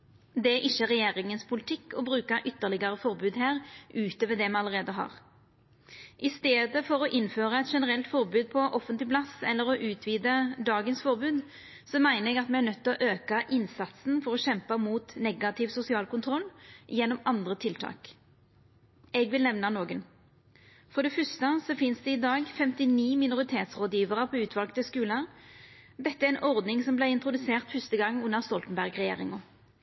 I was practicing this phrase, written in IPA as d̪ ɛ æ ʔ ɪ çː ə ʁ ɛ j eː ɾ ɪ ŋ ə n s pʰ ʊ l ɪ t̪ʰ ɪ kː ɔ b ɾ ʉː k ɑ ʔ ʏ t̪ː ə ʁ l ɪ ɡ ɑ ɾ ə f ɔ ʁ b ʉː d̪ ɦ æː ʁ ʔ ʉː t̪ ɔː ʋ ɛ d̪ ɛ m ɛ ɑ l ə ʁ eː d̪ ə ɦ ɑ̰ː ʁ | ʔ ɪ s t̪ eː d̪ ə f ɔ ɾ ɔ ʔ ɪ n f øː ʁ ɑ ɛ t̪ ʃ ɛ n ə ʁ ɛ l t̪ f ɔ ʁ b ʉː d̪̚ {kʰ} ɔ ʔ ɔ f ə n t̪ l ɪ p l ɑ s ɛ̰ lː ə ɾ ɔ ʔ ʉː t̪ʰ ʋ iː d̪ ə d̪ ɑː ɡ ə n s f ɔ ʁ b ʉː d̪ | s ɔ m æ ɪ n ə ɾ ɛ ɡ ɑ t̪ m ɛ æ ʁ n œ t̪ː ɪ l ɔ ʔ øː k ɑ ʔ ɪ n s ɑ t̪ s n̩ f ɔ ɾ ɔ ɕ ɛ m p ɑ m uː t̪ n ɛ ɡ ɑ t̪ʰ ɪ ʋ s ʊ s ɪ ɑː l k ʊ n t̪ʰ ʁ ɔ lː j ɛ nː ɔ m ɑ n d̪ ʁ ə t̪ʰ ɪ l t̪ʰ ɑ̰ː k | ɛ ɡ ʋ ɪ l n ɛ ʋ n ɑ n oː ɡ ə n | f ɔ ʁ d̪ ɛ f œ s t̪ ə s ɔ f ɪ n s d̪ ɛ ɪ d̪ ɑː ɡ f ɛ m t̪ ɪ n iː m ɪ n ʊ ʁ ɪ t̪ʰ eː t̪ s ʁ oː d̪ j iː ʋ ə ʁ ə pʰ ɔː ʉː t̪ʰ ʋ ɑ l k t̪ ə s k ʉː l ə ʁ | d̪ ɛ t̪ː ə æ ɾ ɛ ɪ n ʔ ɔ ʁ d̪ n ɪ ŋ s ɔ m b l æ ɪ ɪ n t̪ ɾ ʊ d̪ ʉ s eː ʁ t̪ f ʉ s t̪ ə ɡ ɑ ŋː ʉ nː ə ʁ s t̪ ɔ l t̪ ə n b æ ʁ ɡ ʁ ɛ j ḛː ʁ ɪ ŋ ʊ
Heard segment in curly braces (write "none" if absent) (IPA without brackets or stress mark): pʰ